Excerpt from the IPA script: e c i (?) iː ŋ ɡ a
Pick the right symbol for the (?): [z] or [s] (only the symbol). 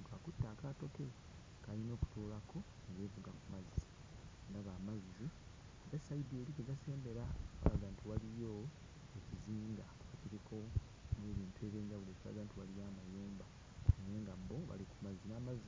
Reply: z